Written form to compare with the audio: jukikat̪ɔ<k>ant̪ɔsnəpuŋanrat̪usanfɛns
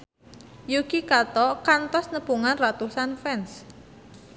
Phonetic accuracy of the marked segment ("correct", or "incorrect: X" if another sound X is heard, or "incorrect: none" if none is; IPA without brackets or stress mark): correct